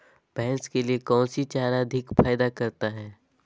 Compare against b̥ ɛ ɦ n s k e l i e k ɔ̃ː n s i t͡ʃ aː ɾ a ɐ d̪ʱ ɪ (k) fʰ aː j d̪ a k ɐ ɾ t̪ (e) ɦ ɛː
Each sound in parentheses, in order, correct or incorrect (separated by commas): correct, incorrect